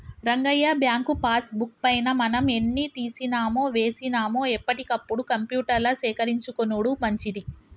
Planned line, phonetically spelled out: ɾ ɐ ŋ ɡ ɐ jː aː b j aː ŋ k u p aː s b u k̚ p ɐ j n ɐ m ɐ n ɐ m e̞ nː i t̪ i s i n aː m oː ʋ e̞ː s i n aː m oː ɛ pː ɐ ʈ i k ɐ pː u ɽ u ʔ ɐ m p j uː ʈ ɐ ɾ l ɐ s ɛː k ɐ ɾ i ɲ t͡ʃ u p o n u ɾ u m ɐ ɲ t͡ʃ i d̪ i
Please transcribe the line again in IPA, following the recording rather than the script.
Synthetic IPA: ɾ ɐ ŋ ɡ ɐ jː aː b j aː ŋ k u p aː s b u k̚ p ɐ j n ɐ m ɐ n ɐ m e̞ nː i t̪ iː s i n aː m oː ʋ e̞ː s i n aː m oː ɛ pː ɐ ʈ i k ɐ pː u ɽ u k ɐ m p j uː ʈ ɐ ɾ l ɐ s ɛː k ɐ ɾ i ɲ t͡ʃ u k o n u ɽ u m ɐ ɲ t͡ʃ i d̪ i